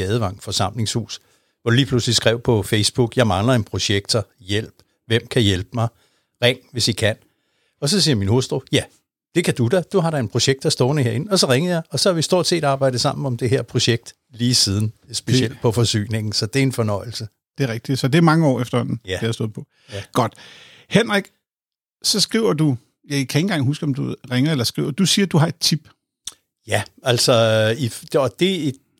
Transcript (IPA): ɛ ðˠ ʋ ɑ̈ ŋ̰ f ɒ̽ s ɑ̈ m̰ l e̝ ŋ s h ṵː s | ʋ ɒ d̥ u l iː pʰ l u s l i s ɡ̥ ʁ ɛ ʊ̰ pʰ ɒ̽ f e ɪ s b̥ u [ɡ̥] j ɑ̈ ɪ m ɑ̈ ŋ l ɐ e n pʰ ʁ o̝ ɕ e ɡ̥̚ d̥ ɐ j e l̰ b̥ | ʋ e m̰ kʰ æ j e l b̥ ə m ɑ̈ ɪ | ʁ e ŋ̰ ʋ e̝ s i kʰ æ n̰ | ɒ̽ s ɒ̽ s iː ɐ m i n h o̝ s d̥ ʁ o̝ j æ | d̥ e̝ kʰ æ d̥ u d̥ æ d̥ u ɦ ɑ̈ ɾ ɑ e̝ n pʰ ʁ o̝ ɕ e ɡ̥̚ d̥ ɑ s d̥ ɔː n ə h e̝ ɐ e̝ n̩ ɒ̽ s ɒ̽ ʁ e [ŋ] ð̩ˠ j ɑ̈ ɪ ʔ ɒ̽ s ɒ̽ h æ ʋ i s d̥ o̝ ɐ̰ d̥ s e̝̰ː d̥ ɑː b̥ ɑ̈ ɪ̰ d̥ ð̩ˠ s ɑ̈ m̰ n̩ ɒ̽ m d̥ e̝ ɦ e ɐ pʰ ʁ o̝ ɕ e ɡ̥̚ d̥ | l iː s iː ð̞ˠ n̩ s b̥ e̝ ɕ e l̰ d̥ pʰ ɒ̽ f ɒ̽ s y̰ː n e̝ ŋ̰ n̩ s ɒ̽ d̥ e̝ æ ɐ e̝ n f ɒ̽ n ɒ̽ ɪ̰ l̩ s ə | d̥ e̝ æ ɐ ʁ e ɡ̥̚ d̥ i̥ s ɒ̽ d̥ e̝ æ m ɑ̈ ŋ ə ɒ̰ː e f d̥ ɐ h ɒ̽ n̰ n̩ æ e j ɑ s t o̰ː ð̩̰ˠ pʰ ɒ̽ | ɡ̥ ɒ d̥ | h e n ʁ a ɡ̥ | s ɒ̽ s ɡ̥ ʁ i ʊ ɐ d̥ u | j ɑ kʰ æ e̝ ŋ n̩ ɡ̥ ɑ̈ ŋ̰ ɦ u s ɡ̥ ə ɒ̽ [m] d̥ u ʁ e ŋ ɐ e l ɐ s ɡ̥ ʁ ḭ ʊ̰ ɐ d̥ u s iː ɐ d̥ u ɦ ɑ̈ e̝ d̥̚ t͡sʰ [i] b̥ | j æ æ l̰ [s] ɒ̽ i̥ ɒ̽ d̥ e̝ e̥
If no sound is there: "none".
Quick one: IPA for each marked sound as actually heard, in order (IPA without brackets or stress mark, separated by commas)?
ɡ̥, ŋ, m, i, s